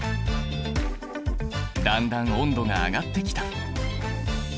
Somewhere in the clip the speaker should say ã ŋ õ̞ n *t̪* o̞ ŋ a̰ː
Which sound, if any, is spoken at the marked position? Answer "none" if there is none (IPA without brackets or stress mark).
d̪